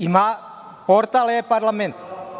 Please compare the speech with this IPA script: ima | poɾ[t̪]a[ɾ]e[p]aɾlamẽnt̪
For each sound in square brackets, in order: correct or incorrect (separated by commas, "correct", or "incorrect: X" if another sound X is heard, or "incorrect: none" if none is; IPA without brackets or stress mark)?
correct, incorrect: l, correct